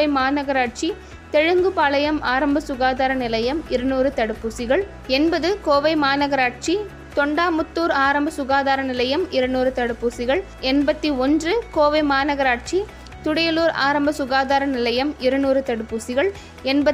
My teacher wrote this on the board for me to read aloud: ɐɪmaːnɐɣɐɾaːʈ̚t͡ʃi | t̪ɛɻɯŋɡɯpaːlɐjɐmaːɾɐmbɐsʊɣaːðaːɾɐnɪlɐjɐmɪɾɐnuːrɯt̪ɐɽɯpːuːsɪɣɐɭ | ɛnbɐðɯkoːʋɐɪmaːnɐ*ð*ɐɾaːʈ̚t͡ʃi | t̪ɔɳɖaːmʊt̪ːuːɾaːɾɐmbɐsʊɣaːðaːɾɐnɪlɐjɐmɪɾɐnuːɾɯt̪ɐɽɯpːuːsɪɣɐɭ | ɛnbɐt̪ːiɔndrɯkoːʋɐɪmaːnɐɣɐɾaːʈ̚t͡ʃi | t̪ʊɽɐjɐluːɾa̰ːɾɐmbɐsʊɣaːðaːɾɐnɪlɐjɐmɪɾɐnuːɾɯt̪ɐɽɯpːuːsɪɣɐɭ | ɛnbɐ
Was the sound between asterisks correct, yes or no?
no